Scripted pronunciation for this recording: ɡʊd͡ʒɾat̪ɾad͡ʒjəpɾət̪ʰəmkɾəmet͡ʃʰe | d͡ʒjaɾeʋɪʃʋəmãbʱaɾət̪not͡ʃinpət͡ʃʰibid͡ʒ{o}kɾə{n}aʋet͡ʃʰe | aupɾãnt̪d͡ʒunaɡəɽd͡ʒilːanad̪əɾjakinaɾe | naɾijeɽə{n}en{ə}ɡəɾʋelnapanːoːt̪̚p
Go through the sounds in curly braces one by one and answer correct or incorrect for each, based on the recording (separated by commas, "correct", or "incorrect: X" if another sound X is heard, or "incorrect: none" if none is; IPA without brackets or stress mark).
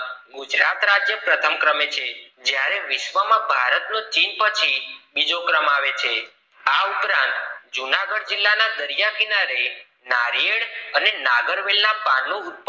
correct, incorrect: m, correct, incorrect: a